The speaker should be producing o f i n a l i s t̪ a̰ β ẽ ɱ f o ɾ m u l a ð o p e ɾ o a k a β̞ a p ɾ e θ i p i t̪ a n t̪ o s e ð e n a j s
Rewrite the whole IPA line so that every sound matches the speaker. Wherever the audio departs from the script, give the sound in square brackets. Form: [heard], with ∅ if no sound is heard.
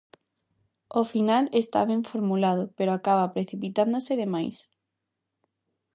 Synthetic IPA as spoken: o f i n a l [e] s t̪ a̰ β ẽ ɱ f o ɾ m u l a ð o p e ɾ o a k a β̞ a p ɾ e θ i p i t̪ a n [d̪] o s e ð e [m] a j s